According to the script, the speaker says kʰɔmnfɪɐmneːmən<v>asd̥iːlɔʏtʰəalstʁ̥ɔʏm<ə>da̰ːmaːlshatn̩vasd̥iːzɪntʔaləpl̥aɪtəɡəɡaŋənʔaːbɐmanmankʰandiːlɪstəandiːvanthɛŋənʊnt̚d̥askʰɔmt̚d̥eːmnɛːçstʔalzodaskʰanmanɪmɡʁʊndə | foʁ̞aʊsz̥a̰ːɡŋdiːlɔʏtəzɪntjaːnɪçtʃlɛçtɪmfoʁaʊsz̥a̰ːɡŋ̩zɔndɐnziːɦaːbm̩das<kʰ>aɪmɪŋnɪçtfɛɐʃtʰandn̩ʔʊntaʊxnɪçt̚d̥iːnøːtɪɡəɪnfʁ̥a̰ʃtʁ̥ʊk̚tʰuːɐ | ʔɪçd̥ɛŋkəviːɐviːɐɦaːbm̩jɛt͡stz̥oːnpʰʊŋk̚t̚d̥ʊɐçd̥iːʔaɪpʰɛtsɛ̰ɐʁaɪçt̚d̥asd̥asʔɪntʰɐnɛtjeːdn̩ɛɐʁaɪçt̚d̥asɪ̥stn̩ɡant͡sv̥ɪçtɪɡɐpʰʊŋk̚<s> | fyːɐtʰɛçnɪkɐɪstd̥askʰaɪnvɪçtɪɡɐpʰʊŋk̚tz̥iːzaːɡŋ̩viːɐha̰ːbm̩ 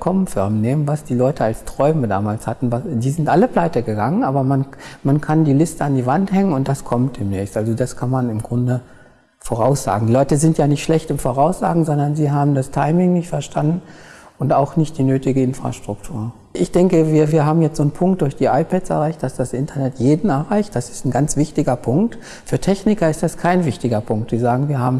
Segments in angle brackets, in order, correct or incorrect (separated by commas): correct, correct, incorrect, incorrect